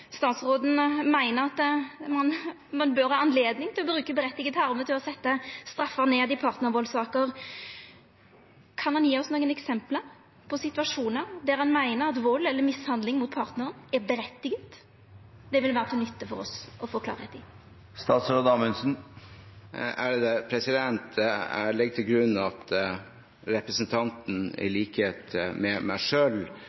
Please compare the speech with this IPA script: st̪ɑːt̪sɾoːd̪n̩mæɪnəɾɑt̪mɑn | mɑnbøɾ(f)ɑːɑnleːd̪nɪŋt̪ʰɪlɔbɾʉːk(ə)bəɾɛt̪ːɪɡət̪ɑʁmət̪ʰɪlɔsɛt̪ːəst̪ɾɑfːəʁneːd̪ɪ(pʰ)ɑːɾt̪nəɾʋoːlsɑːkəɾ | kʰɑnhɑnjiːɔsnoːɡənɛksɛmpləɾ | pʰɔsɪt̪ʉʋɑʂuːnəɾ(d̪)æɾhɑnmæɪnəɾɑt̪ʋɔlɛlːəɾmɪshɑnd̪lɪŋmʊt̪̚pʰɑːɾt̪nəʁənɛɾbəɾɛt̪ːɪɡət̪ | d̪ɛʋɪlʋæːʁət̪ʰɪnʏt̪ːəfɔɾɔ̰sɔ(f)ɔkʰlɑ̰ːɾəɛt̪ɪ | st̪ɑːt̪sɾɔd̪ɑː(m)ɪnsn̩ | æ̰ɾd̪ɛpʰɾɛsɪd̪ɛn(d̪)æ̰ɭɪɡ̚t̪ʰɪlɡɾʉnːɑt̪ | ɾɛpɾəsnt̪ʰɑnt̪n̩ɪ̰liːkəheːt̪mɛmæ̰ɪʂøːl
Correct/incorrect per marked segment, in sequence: incorrect, correct, correct, correct, correct, correct, incorrect

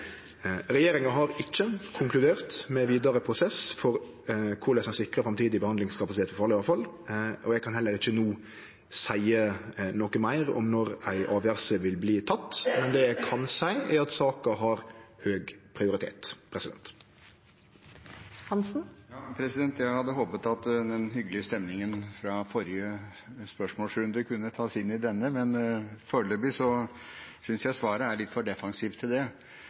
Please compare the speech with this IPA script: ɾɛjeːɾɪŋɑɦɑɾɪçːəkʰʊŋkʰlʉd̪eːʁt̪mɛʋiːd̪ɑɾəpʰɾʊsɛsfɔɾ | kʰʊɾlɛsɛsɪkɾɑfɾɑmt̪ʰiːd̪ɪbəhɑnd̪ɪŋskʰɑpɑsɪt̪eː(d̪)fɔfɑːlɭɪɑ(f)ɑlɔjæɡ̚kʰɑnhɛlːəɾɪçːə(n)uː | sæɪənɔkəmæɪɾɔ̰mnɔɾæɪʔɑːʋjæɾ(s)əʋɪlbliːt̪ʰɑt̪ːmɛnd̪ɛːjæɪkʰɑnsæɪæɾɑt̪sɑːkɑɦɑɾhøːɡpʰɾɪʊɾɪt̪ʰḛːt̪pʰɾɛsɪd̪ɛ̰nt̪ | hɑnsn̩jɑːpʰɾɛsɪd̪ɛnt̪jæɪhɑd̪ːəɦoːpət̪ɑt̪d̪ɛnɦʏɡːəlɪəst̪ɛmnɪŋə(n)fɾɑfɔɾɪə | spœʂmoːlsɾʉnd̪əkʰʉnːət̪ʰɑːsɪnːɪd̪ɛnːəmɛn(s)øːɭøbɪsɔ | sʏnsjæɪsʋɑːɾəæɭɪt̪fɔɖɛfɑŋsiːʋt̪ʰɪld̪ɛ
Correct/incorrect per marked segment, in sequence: incorrect, correct, correct, correct, correct, incorrect

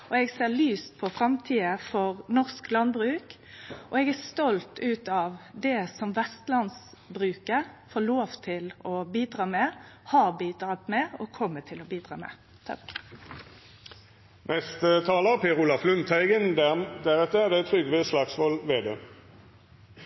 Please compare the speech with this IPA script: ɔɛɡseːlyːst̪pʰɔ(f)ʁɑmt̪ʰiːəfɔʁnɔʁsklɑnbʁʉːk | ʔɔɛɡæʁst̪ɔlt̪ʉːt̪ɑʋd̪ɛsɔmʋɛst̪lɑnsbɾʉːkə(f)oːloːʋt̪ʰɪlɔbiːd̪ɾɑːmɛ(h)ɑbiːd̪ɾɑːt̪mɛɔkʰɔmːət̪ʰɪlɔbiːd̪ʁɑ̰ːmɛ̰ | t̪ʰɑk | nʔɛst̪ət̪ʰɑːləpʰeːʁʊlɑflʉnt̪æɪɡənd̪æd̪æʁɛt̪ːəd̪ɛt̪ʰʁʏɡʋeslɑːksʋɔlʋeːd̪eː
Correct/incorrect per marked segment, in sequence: correct, correct, correct

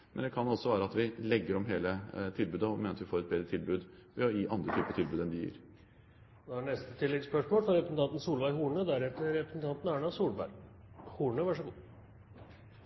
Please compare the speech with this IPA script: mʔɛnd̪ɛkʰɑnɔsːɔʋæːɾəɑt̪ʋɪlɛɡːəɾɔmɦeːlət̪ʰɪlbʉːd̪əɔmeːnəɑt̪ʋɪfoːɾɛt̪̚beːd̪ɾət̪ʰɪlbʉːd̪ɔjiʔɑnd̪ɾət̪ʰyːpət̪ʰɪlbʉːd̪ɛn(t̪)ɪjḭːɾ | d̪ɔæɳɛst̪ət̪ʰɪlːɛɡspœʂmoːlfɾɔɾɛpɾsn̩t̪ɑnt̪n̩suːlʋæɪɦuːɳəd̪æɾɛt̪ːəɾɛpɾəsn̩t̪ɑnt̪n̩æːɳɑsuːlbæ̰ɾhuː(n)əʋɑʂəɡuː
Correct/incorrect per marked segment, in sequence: incorrect, incorrect

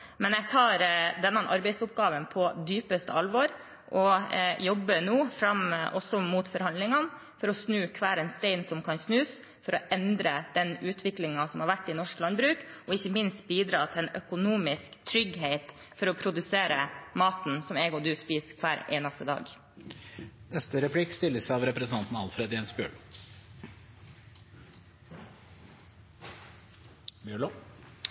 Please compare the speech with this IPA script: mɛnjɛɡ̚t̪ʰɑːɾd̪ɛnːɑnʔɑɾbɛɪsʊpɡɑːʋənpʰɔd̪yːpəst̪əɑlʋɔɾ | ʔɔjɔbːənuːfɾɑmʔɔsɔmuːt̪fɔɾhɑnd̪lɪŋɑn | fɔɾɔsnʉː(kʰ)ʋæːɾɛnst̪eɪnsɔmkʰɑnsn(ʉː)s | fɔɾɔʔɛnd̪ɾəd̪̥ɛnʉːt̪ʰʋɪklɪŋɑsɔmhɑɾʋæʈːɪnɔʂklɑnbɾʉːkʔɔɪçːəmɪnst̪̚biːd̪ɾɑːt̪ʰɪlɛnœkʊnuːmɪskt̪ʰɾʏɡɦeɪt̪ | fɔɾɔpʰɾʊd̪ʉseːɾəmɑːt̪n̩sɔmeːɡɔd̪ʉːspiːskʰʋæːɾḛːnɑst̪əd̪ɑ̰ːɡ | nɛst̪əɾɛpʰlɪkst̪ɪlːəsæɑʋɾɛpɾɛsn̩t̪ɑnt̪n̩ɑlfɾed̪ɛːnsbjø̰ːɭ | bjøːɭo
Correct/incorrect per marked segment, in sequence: correct, correct

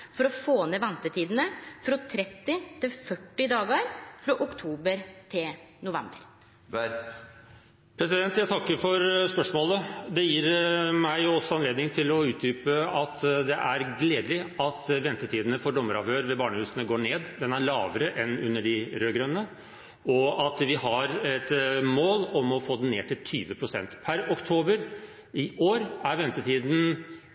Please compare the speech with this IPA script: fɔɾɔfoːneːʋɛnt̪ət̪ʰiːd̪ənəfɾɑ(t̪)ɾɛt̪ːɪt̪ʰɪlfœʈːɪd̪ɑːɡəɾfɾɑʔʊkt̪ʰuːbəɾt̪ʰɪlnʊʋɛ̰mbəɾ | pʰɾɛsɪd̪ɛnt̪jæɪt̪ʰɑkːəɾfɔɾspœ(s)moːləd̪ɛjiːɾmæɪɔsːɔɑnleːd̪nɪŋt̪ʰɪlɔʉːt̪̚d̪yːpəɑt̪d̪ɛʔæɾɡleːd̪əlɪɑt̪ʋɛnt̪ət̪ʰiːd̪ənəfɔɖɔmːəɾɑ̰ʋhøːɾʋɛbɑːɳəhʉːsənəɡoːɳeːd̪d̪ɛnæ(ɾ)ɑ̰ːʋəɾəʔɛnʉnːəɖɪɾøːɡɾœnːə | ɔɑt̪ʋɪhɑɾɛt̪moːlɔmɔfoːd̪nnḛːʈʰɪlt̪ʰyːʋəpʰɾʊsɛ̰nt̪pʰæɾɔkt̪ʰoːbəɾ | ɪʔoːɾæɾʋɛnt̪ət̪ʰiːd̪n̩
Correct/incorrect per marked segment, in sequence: incorrect, incorrect, incorrect

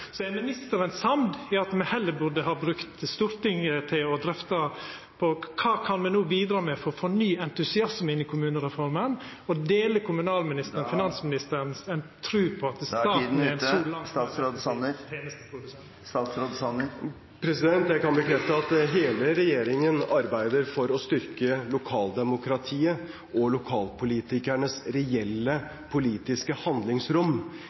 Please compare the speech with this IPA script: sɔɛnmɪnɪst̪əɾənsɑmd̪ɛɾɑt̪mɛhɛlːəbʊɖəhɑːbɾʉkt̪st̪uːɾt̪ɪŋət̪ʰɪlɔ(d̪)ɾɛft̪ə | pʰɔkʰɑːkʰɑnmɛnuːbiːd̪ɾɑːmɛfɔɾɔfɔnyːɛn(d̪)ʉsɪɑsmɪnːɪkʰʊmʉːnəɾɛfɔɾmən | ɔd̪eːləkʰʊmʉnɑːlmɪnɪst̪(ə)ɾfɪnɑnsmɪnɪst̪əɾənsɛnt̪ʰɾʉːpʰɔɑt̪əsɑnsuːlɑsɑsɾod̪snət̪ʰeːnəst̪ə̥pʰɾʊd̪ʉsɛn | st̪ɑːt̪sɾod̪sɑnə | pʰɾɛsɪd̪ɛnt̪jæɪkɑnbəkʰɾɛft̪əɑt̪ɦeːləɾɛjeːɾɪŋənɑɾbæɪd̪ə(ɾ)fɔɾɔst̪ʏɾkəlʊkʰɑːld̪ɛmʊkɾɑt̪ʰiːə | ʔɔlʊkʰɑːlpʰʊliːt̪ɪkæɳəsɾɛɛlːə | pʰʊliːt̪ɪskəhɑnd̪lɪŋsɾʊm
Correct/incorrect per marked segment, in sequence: correct, incorrect, correct, correct

